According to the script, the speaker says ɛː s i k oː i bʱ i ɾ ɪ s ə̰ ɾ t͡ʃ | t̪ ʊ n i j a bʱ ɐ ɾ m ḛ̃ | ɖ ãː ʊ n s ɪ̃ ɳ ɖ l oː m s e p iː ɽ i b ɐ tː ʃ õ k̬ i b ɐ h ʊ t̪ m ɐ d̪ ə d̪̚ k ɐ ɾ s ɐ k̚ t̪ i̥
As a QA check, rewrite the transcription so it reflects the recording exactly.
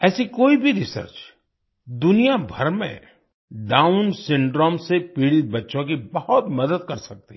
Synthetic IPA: ɛː s i k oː i bʱ i ɾ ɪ s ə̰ ɾ t͡ʃ | d̪ ʊ n i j a bʱ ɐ ɾ m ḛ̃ | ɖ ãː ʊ n s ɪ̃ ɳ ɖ ɾ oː m s e p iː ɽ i b ɐ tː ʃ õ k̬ i b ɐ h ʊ t̪ m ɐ d̪ ə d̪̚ k ɐ ɾ s ɐ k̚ t̪ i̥